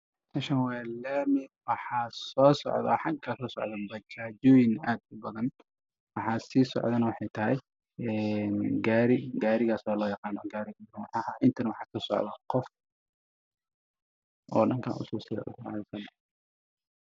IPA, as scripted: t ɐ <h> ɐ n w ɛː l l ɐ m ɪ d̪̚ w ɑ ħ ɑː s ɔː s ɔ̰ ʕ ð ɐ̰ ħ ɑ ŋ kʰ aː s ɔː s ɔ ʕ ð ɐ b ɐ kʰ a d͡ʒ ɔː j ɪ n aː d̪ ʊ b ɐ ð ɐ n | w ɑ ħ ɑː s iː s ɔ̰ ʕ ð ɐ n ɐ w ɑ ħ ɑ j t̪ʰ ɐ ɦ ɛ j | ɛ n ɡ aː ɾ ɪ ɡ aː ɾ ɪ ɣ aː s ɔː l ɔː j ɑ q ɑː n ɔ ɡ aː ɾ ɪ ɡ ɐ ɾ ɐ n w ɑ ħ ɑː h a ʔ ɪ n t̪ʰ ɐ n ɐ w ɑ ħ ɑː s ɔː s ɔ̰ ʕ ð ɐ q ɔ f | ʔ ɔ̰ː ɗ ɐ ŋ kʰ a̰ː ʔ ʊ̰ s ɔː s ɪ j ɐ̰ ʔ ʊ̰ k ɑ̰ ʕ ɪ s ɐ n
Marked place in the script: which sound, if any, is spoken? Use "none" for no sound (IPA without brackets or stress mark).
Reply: ʃ